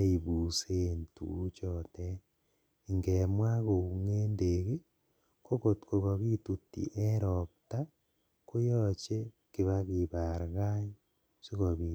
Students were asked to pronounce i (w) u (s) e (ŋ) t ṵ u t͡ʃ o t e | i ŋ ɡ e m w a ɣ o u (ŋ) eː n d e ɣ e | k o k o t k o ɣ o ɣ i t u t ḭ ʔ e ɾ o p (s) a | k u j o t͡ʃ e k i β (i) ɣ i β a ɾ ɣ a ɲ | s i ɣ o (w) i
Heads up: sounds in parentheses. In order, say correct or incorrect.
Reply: incorrect: β, correct, incorrect: n, correct, incorrect: t, incorrect: a, incorrect: β

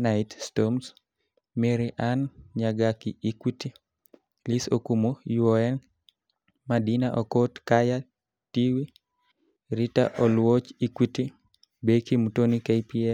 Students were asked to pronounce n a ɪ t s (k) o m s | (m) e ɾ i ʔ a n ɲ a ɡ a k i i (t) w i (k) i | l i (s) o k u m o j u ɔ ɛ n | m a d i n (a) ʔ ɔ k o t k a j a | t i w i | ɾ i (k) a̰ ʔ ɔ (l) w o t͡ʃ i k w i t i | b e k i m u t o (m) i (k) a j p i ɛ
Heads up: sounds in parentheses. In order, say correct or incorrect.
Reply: incorrect: t, correct, incorrect: k, incorrect: t, correct, correct, incorrect: t, correct, incorrect: n, correct

